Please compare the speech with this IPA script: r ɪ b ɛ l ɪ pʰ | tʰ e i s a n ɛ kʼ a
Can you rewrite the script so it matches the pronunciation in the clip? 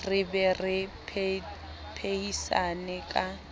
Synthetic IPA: r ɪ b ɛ r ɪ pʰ | pʰ e i s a n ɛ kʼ a